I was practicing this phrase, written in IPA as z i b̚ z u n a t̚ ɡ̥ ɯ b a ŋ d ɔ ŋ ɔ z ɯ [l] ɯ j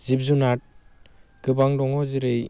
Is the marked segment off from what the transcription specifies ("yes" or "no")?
yes